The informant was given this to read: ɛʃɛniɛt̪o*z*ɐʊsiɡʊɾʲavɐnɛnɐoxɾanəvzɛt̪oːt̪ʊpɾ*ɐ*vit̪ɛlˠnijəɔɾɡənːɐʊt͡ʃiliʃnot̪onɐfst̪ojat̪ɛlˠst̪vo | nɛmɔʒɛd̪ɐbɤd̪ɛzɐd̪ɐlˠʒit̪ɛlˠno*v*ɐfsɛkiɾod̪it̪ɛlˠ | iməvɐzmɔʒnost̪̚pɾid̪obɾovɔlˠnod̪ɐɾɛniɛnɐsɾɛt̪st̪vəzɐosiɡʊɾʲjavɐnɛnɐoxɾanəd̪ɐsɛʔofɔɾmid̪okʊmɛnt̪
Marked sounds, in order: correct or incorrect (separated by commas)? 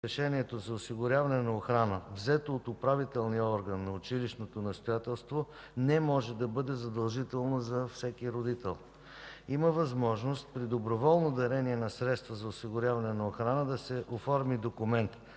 correct, incorrect, incorrect